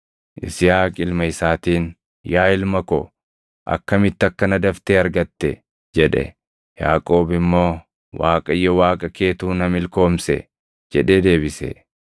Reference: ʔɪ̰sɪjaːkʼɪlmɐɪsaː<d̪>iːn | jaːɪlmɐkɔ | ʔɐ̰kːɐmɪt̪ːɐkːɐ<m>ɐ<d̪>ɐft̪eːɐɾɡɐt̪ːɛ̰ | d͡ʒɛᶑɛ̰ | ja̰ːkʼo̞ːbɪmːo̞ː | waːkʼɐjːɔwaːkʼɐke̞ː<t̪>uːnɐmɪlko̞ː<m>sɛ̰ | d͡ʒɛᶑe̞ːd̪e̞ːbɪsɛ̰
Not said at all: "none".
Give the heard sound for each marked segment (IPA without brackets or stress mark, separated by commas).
t̪, n, d̪, t̪, m